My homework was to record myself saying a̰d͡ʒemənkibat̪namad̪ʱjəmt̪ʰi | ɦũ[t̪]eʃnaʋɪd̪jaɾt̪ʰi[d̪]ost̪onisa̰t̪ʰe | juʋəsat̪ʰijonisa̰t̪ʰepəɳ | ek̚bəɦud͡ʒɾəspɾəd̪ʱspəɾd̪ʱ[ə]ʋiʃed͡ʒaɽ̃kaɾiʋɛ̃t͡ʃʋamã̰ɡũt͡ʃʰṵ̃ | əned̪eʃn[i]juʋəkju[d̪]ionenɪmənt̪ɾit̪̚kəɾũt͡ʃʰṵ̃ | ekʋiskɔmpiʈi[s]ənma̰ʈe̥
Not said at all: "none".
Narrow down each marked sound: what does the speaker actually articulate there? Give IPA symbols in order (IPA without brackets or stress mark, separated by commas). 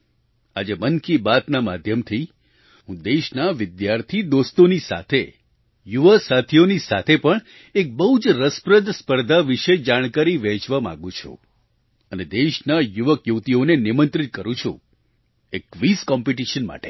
d̪, d̪, a, a, t̪, ʃ